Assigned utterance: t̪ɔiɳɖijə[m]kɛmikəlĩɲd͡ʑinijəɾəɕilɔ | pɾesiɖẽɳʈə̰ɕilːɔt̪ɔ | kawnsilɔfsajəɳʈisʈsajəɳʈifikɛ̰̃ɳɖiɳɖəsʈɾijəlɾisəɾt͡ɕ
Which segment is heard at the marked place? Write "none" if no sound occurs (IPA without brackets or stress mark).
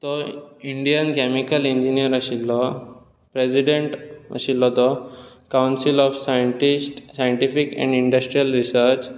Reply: n